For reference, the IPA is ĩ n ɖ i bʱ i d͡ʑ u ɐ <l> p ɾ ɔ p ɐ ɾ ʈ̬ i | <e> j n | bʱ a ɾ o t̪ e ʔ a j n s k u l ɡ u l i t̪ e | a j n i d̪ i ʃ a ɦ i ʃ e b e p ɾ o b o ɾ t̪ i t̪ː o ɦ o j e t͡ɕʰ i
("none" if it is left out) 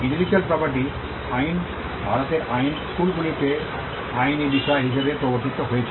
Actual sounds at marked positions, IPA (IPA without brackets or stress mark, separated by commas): l, a